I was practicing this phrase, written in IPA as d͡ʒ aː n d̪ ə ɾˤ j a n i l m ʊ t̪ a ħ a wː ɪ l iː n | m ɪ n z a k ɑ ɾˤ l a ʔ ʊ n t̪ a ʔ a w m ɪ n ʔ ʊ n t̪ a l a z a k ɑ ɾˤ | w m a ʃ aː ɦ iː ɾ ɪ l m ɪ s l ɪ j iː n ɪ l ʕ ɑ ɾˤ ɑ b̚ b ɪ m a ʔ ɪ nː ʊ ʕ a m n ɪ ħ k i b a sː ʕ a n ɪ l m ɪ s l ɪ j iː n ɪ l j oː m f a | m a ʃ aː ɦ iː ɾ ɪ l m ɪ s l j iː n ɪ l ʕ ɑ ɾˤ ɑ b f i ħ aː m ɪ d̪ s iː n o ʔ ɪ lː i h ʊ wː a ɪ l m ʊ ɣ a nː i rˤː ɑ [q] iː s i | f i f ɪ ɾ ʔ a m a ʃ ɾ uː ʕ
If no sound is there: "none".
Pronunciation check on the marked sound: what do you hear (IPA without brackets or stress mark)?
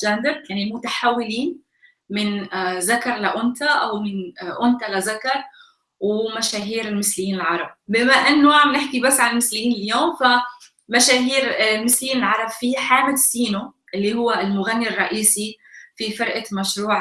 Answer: ʔ